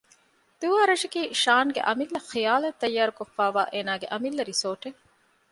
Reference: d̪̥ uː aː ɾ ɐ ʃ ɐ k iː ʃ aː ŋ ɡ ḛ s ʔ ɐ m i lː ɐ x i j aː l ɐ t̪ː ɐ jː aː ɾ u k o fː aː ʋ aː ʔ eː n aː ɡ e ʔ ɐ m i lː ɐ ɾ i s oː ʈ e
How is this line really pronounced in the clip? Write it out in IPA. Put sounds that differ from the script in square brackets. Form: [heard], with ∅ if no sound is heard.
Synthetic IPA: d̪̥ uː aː ɾ ɐ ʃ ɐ k iː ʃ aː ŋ ɡ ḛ [∅] ʔ ɐ m i lː ɐ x i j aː l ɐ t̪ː ɐ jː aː ɾ u k o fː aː ʋ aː ʔ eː n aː ɡ e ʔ ɐ m i lː ɐ ɾ i s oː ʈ e